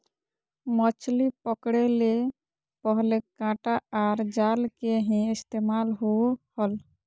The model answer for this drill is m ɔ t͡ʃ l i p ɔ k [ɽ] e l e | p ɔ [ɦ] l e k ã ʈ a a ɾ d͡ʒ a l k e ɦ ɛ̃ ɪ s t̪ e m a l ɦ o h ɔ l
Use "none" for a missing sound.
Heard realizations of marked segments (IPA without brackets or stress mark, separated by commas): ɽ, ɦ